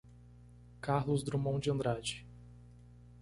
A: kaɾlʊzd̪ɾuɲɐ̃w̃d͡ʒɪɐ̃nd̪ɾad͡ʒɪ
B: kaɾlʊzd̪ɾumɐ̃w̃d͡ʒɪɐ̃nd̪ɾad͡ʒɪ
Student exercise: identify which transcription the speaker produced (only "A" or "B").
B